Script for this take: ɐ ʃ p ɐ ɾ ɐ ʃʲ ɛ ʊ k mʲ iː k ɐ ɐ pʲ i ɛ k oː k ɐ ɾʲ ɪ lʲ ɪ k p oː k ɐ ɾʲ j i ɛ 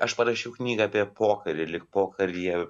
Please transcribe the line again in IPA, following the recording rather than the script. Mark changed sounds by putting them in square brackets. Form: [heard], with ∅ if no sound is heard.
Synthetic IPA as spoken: ɐ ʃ p ɐ ɾ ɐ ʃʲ ɛ ʊ k [nʲ] iː [ɡ] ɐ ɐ pʲ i ɛ [p] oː k ɐ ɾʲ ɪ lʲ ɪ k p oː k ɐ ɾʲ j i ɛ

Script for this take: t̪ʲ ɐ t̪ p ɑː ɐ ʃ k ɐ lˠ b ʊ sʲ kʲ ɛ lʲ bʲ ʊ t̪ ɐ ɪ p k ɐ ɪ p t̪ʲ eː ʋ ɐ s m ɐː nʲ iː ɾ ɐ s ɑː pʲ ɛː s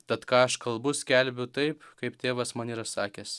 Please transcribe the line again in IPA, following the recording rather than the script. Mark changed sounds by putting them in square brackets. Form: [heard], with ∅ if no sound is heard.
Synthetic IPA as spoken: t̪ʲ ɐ t̪ [k] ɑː ɐ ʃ k ɐ lˠ b ʊ sʲ kʲ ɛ lʲ bʲ ʊ t̪ ɐ ɪ p k ɐ ɪ p t̪ʲ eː ʋ ɐ s m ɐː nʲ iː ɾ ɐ s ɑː [kʲ] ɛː s

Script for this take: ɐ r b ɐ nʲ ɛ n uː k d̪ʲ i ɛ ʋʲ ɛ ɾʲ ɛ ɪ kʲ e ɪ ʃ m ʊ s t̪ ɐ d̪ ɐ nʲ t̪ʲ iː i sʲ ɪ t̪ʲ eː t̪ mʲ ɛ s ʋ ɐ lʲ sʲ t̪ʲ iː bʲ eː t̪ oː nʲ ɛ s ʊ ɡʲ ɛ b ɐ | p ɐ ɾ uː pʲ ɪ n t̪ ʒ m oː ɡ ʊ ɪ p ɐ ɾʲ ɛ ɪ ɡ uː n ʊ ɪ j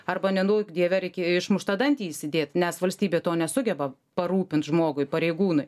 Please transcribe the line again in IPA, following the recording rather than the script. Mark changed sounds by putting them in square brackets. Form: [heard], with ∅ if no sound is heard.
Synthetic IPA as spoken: ɐ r b ɐ nʲ ɛ n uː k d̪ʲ i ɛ ʋʲ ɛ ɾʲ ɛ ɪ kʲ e ɪ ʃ m ʊ [ʃ] t̪ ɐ d̪ ɐ nʲ t̪ʲ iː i sʲ ɪ [d̪ʲ] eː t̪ [nʲ] ɛ s ʋ ɐ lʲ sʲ t̪ʲ iː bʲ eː t̪ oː nʲ ɛ s ʊ ɡʲ ɛ b ɐ | p ɐ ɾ uː pʲ ɪ n t̪ ʒ m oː ɡ ʊ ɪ p ɐ ɾʲ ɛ ɪ ɡ uː n ʊ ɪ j

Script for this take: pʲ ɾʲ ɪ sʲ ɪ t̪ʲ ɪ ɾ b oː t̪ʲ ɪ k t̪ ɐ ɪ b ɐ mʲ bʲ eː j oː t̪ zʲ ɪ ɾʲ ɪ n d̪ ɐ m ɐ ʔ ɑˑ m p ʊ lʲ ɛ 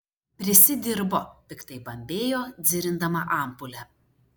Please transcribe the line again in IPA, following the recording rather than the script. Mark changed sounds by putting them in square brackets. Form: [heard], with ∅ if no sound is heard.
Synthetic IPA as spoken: pʲ ɾʲ ɪ sʲ ɪ [d̪ʲ] ɪ ɾ b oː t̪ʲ ɪ k t̪ ɐ ɪ b ɐ mʲ bʲ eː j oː [d̪] zʲ ɪ ɾʲ ɪ n d̪ ɐ m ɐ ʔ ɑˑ m p ʊ lʲ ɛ

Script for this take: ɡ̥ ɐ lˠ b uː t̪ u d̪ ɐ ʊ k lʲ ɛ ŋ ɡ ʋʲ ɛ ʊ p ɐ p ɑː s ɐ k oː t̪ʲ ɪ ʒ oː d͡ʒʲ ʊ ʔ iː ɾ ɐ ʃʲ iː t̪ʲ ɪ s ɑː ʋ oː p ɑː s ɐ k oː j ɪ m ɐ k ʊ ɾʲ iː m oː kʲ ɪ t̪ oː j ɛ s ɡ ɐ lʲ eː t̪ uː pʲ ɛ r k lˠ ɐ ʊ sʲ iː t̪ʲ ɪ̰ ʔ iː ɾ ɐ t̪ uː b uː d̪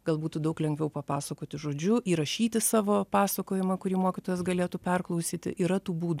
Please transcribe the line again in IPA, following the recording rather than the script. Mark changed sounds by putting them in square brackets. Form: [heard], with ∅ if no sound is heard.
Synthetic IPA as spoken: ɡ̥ ɐ lˠ b uː t̪ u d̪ ɐ ʊ k lʲ ɛ ŋ ɡ ʋʲ ɛ ʊ p ɐ p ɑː s ɐ k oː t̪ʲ ɪ ʒ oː d͡ʒʲ ʊ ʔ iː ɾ ɐ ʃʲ iː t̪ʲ ɪ s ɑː ʋ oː p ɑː s ɐ k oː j ɪ m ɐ k ʊ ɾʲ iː m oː kʲ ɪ t̪ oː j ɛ s ɡ ɐ lʲ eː t̪ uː pʲ ɛ r k lˠ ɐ ʊ sʲ iː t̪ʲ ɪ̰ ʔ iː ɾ ɐ t̪ uː b uː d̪

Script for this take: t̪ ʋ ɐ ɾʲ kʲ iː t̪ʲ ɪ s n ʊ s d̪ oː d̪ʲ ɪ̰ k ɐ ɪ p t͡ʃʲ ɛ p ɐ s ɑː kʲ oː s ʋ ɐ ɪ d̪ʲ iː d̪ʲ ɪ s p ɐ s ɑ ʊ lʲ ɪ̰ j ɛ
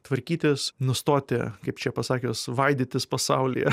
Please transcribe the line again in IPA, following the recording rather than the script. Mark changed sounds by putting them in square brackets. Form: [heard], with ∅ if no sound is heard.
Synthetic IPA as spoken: t̪ ʋ ɐ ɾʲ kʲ iː t̪ʲ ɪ s n ʊ s [t̪] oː [t̪ʲ] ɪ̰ k ɐ ɪ p t͡ʃʲ ɛ p ɐ s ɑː kʲ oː s ʋ ɐ ɪ d̪ʲ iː [t̪ʲ] ɪ s p ɐ s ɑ ʊ lʲ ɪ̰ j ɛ

